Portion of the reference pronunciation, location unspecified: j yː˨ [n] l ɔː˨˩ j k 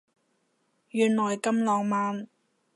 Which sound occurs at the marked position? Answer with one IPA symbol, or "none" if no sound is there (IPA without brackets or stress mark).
n